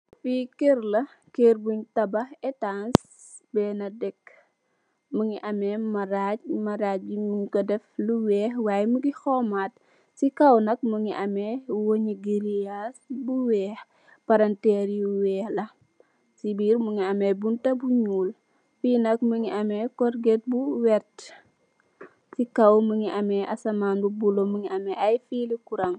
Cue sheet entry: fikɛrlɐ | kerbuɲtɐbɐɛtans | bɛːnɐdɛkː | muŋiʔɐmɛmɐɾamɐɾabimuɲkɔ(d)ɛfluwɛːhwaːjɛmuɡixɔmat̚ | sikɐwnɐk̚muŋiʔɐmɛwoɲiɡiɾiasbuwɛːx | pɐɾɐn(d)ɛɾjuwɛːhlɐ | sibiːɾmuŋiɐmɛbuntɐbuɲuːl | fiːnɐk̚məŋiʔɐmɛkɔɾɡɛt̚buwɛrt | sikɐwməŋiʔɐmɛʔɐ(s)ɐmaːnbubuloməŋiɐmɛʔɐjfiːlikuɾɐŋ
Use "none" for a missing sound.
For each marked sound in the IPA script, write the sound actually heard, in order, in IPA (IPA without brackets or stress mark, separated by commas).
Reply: d, t, s